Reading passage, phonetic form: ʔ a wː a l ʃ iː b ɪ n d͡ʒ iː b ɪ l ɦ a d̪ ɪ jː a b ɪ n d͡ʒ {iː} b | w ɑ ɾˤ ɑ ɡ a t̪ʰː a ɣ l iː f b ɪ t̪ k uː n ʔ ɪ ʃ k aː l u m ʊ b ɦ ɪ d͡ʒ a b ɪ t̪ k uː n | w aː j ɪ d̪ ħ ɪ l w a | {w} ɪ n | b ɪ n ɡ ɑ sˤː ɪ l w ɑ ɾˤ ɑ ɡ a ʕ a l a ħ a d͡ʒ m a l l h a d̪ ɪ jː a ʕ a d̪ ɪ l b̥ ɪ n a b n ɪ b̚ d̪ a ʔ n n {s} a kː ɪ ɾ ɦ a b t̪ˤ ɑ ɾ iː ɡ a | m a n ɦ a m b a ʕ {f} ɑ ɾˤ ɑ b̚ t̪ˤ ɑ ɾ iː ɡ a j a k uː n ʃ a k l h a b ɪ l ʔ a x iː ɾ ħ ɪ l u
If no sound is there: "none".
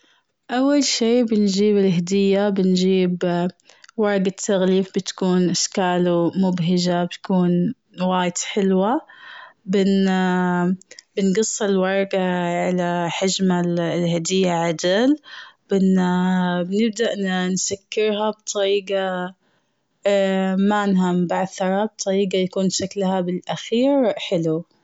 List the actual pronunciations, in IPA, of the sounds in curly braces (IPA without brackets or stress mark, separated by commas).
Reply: iː, b, s, θ